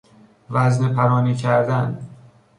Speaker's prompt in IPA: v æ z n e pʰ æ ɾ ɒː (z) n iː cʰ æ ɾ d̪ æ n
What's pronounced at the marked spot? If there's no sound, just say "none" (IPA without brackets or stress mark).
none